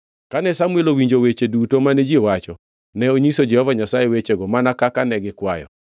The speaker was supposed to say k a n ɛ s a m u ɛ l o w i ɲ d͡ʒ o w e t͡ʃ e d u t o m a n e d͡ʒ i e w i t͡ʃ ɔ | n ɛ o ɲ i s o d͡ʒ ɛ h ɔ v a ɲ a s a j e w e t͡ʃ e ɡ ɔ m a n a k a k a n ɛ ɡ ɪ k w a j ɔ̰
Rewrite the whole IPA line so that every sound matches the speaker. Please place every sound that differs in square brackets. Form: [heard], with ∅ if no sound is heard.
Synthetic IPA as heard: k a n ɛ s a m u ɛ l o w i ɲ d͡ʒ o w e t͡ʃ e d u t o m a n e d͡ʒ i e w [a] t͡ʃ ɔ | n ɛ o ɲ i s o d͡ʒ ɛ h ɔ v a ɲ a s a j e w e t͡ʃ e ɡ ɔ m a n a k a k a n ɛ ɡ ɪ k w a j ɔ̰